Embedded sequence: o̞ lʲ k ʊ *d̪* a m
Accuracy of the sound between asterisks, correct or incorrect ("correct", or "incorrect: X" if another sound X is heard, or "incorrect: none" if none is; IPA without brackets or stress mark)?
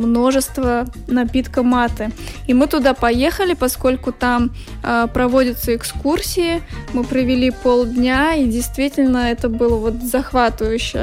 incorrect: t̪